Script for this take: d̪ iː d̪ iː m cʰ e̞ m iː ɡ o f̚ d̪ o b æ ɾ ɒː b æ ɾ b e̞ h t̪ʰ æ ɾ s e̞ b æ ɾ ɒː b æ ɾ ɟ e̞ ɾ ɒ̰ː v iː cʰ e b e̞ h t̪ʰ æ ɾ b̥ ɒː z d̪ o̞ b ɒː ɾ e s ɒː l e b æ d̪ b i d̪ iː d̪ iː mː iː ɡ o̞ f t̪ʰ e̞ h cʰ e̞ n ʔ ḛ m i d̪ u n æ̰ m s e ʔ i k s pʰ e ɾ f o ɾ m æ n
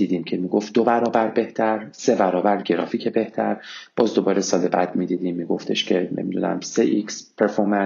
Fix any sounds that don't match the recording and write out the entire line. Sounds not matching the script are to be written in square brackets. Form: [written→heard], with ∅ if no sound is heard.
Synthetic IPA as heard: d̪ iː d̪ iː m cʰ e̞ m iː ɡ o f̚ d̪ o b æ ɾ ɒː b æ ɾ b e̞ h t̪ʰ æ ɾ s e̞ b æ ɾ ɒː b æ ɾ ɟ e̞ ɾ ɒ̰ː [v→f] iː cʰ e b e̞ h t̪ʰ æ ɾ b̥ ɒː z d̪ o̞ b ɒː ɾ e s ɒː l e b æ d̪ [b→m] i d̪ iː d̪ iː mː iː ɡ o̞ f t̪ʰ e̞ [h→ʃ] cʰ e̞ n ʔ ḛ m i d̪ u n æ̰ m s e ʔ i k s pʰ e ɾ f o ɾ m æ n